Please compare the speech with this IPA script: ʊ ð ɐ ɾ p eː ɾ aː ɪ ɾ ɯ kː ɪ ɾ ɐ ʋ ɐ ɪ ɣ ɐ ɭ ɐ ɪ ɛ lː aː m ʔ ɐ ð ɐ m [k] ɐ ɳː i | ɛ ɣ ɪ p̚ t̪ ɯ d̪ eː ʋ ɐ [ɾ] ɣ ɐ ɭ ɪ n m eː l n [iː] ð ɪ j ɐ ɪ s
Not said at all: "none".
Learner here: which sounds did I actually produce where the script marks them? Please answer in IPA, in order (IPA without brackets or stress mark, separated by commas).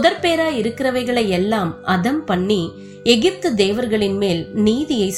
p, ɾ, iː